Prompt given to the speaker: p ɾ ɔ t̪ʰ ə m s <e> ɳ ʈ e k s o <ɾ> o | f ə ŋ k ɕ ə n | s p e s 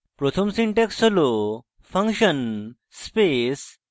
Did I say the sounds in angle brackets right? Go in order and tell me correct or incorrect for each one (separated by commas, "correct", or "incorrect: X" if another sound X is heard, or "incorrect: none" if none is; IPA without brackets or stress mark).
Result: incorrect: i, incorrect: l